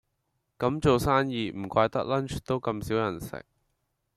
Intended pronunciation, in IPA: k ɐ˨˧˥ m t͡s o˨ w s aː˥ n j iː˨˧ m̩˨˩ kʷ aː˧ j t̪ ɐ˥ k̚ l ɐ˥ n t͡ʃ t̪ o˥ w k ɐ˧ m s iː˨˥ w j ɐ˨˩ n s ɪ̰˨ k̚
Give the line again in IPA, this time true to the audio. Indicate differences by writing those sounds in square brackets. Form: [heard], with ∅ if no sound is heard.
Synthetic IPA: k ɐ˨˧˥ m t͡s o˨ w s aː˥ n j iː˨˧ m̩˨˩ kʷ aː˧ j t̪ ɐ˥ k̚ l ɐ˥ n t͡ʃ t̪ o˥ w k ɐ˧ m s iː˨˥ w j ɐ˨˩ n s ɪ̰˨ k̚